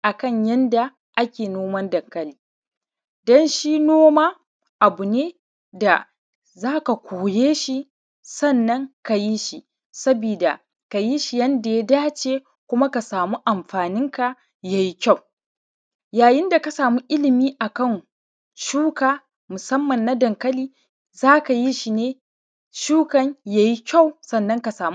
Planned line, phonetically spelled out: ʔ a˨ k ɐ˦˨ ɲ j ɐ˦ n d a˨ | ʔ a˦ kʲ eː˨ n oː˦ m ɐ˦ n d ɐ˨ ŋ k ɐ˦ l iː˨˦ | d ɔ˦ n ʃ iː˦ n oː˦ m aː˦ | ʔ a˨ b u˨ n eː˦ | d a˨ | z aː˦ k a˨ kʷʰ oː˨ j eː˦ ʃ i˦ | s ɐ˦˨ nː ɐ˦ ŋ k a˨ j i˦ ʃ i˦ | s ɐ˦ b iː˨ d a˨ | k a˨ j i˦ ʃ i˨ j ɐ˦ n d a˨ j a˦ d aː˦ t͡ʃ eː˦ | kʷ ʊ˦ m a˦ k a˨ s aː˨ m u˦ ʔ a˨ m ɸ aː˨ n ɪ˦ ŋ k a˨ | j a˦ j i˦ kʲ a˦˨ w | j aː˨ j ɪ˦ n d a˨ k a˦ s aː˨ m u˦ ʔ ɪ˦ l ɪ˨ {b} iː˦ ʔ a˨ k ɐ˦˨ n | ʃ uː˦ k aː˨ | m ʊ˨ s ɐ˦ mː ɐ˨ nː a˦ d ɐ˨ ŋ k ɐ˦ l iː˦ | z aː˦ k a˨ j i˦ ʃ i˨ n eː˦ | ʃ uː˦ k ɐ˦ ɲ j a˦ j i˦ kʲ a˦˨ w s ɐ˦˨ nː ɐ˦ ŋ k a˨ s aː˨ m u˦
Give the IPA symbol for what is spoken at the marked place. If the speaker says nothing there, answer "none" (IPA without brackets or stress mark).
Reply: m